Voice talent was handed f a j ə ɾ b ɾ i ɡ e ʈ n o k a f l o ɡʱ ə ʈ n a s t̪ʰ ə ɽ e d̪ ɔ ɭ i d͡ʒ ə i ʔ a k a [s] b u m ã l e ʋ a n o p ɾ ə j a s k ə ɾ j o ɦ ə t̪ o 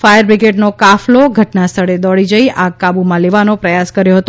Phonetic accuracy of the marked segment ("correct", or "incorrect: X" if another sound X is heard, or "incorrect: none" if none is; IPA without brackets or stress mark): incorrect: none